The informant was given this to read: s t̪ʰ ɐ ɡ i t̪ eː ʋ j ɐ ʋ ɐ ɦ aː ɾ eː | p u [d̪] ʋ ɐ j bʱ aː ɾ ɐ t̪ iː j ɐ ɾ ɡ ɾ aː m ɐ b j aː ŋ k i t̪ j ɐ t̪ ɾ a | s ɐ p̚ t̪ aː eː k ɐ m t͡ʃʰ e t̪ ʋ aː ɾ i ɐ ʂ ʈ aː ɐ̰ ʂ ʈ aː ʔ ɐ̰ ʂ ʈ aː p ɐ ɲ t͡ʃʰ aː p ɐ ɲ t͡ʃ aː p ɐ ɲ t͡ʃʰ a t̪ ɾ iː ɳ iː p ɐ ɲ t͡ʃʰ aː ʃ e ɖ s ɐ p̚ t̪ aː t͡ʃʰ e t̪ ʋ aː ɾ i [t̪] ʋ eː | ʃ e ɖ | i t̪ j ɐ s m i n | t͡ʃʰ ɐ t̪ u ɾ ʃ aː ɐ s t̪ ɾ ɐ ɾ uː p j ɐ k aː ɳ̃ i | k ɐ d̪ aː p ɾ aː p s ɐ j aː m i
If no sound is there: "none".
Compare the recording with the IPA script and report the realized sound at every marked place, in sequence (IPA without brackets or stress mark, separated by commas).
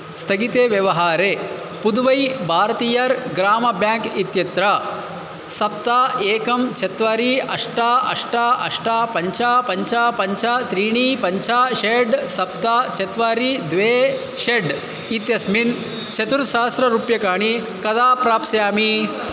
d̪, d̪